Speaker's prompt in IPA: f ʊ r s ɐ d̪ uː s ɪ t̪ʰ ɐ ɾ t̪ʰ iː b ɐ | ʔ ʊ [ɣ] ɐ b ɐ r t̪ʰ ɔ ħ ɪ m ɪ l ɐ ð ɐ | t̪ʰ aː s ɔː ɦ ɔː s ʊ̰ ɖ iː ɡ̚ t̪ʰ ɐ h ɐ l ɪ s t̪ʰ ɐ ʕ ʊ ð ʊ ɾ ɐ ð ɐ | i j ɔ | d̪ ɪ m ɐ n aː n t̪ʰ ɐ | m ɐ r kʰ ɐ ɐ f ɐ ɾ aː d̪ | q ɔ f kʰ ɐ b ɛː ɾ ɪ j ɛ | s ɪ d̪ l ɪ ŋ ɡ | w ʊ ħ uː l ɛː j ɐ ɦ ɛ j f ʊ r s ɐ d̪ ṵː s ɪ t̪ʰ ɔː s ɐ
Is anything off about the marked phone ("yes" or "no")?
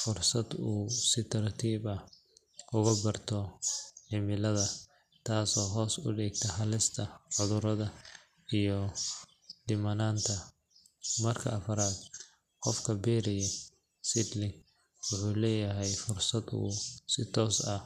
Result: no